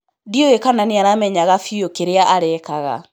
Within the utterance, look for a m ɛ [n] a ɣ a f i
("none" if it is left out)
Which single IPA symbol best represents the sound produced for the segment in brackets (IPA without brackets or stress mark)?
ɲ